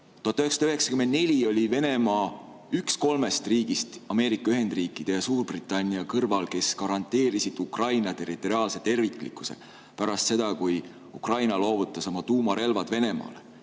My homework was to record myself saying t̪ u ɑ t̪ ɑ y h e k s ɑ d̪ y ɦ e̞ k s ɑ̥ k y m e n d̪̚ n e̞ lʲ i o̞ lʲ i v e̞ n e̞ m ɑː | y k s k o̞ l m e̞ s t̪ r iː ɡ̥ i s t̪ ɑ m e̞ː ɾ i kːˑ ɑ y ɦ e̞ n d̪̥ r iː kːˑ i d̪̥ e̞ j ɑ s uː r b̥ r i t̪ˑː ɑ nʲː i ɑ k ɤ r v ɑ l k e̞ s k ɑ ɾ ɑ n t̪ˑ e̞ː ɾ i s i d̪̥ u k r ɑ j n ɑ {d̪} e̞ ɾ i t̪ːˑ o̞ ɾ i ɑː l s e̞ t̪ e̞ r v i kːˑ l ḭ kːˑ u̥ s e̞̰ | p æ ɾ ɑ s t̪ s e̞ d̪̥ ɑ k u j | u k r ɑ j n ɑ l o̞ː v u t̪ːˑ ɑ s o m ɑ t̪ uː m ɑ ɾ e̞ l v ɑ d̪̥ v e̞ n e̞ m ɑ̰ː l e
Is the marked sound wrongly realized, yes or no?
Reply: yes